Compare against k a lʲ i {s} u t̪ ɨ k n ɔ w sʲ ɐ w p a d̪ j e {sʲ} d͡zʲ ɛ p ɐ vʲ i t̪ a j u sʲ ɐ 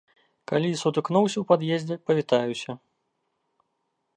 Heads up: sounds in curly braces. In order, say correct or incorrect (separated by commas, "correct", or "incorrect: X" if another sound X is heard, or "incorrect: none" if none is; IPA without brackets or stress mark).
correct, incorrect: zʲ